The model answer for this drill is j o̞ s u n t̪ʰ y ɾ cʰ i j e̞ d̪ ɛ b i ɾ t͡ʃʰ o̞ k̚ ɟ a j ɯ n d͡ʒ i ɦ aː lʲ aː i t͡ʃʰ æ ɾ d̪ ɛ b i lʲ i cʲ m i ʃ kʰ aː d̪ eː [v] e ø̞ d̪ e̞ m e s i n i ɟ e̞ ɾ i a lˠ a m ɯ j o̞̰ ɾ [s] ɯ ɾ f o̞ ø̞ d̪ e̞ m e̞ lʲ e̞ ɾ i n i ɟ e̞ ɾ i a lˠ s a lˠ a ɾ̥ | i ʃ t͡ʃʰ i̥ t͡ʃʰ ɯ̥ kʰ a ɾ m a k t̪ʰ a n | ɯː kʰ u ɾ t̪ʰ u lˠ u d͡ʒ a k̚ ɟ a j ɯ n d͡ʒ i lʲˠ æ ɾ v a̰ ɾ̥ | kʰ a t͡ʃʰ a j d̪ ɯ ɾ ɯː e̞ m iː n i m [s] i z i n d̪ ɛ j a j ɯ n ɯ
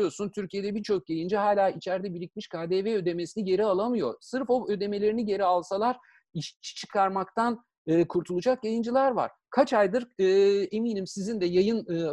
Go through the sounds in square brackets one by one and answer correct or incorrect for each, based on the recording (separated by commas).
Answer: correct, correct, correct